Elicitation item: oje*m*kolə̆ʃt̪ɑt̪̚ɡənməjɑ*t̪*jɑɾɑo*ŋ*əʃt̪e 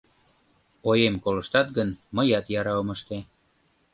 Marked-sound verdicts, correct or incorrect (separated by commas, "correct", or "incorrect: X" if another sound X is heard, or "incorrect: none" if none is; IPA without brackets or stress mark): correct, correct, incorrect: m